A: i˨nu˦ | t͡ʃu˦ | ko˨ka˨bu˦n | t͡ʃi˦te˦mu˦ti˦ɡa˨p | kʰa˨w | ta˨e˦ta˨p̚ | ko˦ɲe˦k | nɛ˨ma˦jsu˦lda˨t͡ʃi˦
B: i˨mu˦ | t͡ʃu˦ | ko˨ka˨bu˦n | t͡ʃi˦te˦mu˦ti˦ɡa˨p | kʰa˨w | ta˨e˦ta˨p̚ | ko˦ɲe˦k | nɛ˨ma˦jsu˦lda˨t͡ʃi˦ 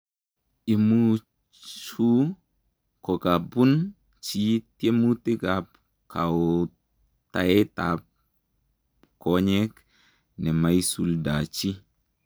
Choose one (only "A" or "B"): B